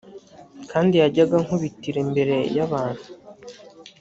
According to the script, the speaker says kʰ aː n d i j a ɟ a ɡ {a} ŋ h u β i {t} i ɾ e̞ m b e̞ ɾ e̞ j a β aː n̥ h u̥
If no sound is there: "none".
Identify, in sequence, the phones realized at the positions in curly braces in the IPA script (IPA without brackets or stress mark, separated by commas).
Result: a, t